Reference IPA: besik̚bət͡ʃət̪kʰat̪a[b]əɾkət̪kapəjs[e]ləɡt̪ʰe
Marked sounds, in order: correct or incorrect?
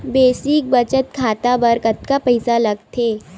correct, incorrect

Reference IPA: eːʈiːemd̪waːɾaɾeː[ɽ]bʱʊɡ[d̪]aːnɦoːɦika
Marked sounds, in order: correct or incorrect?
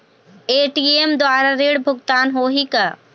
correct, incorrect

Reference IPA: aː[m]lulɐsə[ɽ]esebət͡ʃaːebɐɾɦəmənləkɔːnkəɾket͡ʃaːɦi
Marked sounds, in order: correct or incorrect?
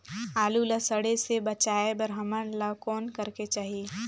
incorrect, correct

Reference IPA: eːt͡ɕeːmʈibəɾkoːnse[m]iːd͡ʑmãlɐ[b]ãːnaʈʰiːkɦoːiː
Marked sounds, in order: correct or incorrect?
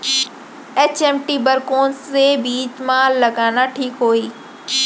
incorrect, incorrect

